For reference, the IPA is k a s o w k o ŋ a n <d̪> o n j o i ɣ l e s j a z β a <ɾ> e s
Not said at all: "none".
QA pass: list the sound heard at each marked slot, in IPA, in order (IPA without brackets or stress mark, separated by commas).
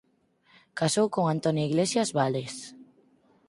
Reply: t̪, l